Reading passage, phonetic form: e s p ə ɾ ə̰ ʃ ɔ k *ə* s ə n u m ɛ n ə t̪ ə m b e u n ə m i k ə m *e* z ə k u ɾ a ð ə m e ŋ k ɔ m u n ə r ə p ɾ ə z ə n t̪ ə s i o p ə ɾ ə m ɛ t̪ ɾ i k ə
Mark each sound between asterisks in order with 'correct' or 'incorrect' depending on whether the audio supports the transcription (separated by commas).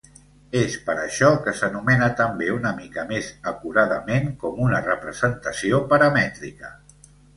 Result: correct, correct